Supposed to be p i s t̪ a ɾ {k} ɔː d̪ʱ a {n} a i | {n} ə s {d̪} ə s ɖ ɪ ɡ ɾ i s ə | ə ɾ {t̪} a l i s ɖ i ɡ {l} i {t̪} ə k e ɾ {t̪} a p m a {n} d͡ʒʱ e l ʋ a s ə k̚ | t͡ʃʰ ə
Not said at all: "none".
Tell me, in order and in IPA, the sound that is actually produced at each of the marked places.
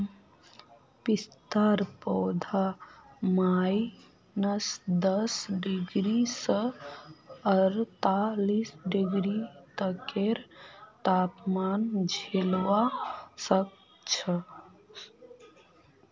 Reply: p, m, n, d̪, t̪, ɾ, t̪, t̪, n

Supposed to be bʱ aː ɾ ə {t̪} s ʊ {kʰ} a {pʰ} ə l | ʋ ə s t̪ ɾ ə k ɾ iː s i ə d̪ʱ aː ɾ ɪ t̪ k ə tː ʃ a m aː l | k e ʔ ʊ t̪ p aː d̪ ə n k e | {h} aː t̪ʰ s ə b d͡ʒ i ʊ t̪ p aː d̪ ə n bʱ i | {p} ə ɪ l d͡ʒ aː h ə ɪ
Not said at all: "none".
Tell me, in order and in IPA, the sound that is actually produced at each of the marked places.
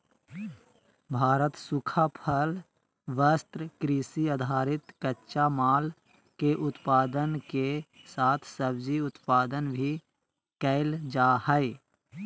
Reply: t̪, kʰ, pʰ, s, k

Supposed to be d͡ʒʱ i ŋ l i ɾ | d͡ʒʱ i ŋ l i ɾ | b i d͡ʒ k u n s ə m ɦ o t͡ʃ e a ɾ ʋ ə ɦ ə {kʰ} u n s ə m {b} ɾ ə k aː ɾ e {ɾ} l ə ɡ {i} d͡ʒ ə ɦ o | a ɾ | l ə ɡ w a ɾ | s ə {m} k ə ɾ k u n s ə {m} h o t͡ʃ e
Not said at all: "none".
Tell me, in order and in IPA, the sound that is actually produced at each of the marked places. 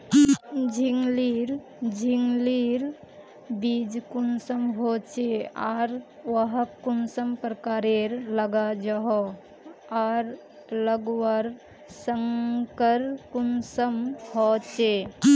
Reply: k, p, ɾ, a, ŋ, m

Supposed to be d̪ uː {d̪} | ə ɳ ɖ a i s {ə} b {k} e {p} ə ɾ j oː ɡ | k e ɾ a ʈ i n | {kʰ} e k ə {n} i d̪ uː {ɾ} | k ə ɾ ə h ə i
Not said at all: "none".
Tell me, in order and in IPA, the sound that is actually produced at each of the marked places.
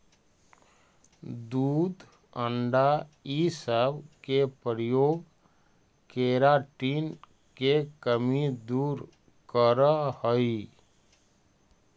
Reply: d̪, ə, k, p, k, m, ɾ

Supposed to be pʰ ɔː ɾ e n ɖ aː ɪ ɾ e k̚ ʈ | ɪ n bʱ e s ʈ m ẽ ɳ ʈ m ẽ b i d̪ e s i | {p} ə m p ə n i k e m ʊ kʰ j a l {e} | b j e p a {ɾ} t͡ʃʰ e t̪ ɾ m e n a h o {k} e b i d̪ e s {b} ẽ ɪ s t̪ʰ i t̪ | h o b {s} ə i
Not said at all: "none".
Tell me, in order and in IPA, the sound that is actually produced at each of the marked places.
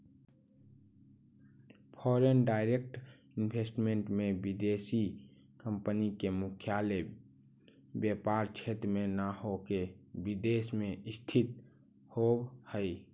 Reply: k, e, ɾ, k, m, h

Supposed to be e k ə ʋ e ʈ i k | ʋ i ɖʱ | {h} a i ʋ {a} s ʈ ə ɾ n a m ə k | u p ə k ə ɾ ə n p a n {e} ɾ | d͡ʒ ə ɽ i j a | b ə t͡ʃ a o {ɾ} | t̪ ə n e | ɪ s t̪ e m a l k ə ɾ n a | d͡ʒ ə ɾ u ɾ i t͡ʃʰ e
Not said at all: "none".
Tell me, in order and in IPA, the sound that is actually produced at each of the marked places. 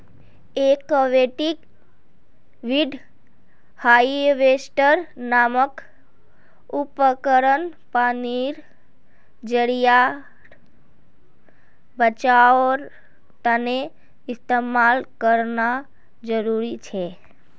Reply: h, e, i, ɾ

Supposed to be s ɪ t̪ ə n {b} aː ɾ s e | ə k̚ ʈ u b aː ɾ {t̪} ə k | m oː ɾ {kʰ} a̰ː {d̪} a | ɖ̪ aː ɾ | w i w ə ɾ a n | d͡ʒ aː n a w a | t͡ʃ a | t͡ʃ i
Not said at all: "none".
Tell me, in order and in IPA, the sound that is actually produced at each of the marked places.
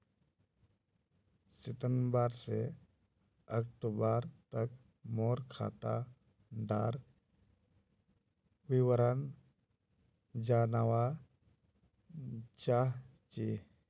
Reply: b, t̪, kʰ, t̪

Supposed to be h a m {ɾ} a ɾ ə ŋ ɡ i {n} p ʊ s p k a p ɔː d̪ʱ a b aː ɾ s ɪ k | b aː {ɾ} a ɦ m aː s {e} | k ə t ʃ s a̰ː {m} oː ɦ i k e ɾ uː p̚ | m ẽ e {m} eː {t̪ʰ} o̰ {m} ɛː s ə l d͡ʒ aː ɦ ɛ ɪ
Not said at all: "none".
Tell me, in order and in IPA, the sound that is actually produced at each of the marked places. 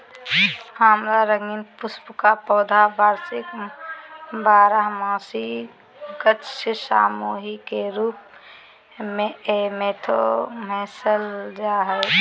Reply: ɾ, n, ɾ, i, m, m, t̪ʰ, m

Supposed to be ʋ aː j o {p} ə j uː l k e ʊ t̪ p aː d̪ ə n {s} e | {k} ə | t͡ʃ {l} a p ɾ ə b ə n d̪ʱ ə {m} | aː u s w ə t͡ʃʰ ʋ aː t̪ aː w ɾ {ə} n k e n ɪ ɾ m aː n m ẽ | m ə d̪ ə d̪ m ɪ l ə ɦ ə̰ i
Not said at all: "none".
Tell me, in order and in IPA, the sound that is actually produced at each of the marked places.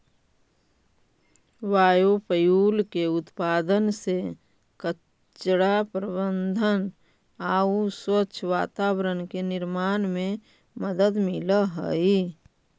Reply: p, s, k, ɽ, n, ə

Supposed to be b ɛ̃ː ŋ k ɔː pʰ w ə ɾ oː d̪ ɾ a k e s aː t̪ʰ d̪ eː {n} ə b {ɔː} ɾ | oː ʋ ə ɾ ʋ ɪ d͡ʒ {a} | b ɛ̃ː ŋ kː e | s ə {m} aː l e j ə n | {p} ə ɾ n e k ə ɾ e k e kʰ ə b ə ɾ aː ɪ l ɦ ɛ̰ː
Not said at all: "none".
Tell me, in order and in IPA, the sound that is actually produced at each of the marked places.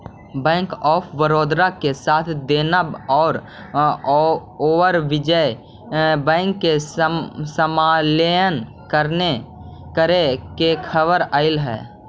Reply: n, ɔː, ə, m, k

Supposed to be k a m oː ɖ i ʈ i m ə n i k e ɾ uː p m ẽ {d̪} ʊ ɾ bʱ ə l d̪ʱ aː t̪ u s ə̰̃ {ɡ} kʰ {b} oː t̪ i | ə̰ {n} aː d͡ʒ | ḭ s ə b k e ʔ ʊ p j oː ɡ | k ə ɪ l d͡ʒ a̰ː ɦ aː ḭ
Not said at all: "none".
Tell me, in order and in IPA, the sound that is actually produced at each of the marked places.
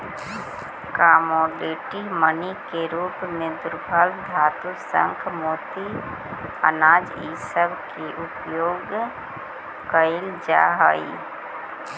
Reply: d̪, ŋ, m, n

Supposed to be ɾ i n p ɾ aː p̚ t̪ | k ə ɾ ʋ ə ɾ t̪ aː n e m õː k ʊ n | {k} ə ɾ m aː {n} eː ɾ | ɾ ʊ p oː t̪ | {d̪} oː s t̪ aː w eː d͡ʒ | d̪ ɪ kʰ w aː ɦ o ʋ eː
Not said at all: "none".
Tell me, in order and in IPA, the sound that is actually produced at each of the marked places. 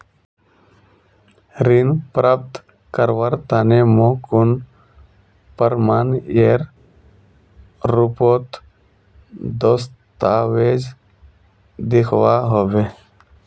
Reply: p, n, d̪

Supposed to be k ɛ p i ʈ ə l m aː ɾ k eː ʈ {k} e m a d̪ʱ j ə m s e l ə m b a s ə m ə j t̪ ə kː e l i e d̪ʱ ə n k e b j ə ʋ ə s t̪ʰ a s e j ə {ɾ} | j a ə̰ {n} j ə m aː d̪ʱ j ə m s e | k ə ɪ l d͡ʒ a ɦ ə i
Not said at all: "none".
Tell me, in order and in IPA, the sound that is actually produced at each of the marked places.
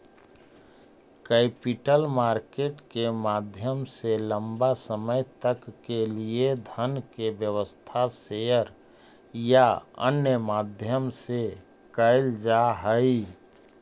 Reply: k, ɾ, n

